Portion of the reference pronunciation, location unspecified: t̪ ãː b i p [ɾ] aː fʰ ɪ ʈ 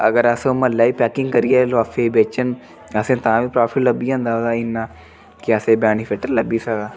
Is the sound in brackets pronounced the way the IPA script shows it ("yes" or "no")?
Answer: yes